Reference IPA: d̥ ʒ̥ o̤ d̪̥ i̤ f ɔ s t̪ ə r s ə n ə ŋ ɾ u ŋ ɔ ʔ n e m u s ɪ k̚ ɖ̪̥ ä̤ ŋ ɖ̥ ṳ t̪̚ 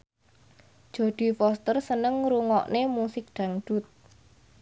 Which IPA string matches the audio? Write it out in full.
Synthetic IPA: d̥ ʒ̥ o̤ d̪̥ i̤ f ɔ s t̪ ə r s ə n ə ŋ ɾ u ŋ ɔ ʔ n e m u s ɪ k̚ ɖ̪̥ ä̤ ŋ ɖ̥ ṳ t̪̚